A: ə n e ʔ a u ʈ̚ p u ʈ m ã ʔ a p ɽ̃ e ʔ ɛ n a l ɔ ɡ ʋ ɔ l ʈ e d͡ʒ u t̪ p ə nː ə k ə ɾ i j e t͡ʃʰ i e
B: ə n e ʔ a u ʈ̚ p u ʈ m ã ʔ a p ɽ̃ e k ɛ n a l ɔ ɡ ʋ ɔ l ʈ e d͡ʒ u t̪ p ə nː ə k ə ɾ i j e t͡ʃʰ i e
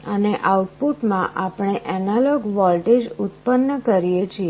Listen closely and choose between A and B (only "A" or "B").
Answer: A